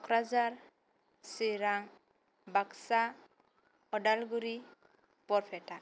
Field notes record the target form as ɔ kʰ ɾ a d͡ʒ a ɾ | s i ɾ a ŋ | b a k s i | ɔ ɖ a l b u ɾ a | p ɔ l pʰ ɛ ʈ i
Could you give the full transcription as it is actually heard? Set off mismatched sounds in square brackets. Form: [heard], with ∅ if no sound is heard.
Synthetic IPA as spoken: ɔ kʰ ɾ a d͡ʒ a ɾ | s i ɾ a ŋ | b a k s [a] | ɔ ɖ a l [ɡ] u ɾ [i] | p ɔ [ɾ] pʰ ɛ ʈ [a]